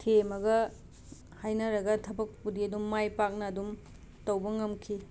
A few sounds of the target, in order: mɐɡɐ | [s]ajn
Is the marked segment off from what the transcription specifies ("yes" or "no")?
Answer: yes